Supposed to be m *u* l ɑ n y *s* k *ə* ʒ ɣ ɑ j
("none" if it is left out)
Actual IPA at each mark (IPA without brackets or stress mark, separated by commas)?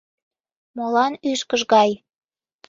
o, ʃ, ə